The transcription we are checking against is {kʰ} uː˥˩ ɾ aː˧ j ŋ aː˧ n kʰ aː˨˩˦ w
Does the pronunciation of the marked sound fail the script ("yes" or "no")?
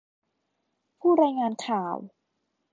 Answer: yes